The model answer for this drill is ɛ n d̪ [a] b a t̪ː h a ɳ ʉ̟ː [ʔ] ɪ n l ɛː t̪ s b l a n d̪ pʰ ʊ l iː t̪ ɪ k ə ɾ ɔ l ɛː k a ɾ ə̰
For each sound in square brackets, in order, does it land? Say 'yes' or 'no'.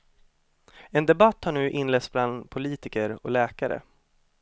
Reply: no, yes

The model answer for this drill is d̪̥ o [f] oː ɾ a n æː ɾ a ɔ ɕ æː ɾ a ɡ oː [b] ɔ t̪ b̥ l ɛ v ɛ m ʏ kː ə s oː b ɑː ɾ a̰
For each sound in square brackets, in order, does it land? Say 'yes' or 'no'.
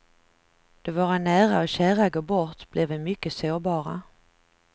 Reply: no, yes

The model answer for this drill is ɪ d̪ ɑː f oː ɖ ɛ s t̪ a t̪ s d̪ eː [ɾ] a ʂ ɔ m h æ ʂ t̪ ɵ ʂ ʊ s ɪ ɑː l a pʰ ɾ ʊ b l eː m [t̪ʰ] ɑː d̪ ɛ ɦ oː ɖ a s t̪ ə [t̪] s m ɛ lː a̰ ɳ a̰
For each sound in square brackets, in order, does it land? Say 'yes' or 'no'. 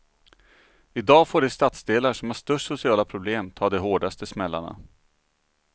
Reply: no, yes, no

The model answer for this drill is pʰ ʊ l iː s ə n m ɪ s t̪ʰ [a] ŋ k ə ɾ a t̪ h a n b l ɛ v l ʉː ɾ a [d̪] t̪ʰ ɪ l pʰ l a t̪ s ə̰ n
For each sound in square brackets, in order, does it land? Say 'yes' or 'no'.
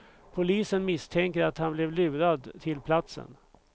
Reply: no, yes

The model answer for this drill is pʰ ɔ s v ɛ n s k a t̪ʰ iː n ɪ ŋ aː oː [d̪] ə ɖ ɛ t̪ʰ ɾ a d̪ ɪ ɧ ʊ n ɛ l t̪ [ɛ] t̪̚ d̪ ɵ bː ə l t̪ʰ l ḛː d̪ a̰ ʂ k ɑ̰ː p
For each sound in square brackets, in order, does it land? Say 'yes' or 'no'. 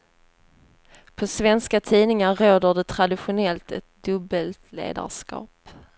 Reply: yes, yes

